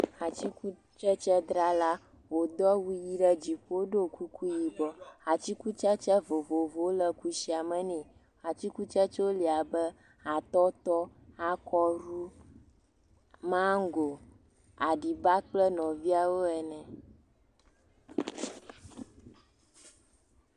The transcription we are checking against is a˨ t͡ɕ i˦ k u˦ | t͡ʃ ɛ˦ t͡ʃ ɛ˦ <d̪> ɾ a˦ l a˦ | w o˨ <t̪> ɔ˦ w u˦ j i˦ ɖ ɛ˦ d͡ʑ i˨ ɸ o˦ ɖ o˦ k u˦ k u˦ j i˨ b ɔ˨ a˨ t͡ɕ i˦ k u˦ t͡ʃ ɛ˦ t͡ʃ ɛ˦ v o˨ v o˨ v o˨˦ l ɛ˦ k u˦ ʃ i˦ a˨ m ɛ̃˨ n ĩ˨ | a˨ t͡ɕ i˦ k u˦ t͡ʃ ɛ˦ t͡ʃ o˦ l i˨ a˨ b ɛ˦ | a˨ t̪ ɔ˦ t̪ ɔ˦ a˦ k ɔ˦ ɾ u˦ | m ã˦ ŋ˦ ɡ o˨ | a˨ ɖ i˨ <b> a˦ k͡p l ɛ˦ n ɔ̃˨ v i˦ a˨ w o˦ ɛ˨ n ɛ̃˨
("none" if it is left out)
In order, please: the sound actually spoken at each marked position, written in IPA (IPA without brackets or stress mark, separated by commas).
d̪, d̪, b